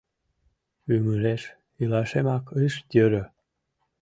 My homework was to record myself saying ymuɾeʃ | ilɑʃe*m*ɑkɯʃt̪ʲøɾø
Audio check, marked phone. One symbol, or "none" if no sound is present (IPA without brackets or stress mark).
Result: m